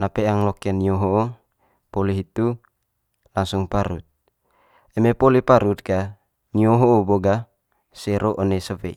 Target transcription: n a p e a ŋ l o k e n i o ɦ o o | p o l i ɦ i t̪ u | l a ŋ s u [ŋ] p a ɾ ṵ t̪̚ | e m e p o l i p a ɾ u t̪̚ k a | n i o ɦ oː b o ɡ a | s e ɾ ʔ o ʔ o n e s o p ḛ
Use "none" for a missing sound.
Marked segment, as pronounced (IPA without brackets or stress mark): ŋ